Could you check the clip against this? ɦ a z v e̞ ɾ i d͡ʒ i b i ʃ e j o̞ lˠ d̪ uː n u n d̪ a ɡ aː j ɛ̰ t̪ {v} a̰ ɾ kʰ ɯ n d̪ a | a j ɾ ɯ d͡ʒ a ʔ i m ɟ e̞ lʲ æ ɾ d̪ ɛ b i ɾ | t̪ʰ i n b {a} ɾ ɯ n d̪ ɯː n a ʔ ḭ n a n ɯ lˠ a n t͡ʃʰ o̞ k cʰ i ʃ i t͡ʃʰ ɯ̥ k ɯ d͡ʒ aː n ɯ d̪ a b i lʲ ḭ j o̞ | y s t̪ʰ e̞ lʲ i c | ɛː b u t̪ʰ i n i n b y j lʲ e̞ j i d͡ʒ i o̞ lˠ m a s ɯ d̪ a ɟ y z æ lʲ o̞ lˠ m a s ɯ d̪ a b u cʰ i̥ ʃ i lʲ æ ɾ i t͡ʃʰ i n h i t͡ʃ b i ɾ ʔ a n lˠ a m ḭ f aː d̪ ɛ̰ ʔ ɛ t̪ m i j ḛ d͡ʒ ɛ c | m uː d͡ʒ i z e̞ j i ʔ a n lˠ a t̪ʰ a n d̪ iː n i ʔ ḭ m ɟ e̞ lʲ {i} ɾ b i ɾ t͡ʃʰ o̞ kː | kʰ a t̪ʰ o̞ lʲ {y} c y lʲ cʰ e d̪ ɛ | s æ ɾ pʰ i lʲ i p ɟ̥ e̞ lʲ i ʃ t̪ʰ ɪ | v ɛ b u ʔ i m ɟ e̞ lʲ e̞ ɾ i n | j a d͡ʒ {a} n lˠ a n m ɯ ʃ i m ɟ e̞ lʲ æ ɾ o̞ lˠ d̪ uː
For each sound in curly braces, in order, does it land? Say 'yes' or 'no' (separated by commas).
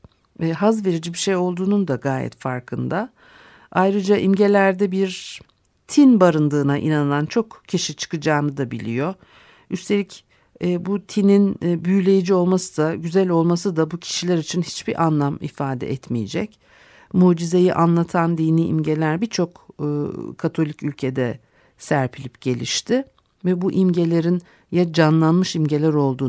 no, yes, no, no, yes